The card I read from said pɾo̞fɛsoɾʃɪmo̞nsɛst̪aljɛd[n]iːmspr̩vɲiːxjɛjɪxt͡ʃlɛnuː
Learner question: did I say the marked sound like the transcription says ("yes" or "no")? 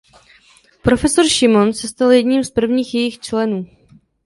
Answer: no